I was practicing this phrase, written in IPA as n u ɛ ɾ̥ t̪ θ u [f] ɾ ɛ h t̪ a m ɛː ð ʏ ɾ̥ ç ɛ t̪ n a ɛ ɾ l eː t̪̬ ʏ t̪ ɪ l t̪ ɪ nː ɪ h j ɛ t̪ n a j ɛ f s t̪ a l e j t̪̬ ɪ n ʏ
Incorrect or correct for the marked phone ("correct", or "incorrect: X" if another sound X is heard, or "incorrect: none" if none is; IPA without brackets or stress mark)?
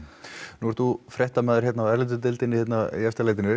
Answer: correct